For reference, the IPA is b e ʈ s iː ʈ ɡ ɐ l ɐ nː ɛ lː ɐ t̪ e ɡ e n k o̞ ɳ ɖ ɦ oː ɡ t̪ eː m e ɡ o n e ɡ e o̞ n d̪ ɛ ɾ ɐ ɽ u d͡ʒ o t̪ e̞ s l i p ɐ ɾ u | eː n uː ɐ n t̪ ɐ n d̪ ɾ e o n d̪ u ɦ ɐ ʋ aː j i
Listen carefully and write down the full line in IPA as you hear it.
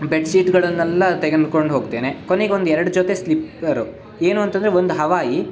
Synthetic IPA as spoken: b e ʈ s iː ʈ ɡ ɐ ɭ ɐ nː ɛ lː ɐ t̪ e ɡ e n k o̞ ɳ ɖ ɦ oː ɡ t̪ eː n e k o n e ɡ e o̞ n d̪ ɛ ɾ ɐ ɽ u d͡ʒ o t̪ e̞ s l i p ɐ ɾ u | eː n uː ɐ n t̪ ɐ n d̪ ɾ e o n d̪ u ɦ ɐ ʋ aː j i